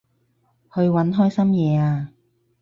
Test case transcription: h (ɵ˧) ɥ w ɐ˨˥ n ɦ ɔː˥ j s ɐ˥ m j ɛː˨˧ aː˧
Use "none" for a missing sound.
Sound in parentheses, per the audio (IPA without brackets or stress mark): ɵ˧